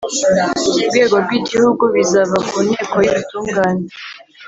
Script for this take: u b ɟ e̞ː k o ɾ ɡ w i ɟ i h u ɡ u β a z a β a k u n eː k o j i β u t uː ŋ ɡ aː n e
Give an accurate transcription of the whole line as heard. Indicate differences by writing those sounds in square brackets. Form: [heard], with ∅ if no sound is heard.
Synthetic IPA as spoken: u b [ɡ] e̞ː [ɡ] o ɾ ɡ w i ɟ i h u ɡ u β [i] z a β a k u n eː k o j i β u t uː ŋ ɡ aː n e